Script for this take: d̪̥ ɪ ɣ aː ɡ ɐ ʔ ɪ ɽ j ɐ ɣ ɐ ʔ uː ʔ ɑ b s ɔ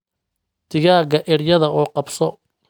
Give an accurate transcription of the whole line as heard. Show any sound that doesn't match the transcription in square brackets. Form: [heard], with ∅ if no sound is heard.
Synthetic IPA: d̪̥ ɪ ɣ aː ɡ ɐ ʔ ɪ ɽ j ɐ [ð] ɐ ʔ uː [q] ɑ b s ɔ